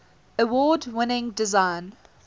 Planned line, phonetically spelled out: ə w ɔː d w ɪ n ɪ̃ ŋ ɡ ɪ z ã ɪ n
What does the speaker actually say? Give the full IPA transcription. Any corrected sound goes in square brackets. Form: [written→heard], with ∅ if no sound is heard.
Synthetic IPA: ə w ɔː d w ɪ n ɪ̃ ŋ [ɡ→d] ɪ z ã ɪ n